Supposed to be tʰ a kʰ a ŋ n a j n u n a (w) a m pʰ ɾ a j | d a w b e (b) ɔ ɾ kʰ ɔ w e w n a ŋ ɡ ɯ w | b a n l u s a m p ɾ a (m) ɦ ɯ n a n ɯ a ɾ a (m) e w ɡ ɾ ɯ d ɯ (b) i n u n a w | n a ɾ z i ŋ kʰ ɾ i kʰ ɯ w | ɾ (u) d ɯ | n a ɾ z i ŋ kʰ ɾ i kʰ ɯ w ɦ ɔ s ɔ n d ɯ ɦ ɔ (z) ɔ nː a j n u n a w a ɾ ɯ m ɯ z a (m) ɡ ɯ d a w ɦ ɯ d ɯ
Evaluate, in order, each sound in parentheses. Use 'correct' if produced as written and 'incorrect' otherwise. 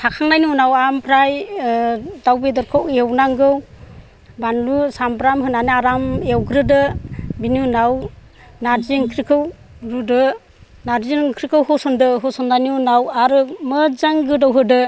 correct, incorrect: d, correct, correct, correct, correct, incorrect: s, incorrect: ŋ

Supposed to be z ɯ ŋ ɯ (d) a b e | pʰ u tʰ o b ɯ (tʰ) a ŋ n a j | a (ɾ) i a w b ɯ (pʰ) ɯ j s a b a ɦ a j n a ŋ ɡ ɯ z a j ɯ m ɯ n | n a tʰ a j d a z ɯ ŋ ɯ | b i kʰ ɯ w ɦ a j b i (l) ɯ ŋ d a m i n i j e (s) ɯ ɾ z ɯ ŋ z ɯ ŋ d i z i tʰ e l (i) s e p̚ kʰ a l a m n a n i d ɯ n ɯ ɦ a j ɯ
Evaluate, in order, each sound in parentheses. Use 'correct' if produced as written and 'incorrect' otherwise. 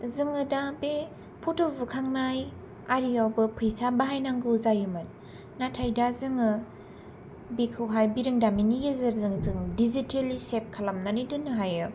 correct, incorrect: kʰ, correct, correct, incorrect: ɾ, incorrect: z, correct

